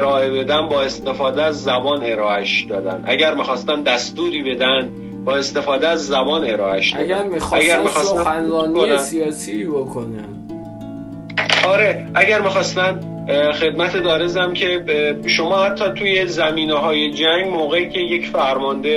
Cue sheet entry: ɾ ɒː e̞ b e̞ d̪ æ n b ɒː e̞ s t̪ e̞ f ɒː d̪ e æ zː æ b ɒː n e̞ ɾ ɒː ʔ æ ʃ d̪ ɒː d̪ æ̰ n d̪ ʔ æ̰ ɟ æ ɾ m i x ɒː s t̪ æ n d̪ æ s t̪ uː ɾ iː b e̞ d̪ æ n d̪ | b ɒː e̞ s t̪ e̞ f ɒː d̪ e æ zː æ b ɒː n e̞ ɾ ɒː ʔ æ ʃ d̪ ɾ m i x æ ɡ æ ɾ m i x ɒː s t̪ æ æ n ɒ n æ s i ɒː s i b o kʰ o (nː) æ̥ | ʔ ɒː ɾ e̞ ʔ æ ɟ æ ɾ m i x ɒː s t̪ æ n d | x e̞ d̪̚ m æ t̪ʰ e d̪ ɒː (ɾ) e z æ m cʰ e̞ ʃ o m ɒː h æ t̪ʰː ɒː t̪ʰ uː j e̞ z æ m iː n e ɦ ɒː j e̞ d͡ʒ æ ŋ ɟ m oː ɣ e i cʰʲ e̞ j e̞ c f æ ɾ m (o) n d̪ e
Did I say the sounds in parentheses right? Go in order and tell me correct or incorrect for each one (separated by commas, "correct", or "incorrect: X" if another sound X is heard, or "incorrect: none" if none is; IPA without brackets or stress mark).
incorrect: n, correct, incorrect: ɒ